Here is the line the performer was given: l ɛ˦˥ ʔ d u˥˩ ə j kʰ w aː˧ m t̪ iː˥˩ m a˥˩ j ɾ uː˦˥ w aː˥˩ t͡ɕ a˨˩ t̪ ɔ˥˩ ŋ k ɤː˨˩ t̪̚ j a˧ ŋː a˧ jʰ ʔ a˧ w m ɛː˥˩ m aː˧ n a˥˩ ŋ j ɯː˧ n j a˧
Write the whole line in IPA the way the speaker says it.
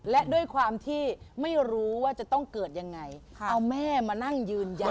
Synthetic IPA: l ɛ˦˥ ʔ d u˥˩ ə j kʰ w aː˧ m t̪ʰ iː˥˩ m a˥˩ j ɾ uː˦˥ w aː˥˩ t͡ɕ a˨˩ t̪ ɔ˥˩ ŋ k ɤː˨˩ t̪̚ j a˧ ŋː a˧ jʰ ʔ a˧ w m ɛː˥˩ m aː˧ n a˥˩ ŋ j ɯː˧ n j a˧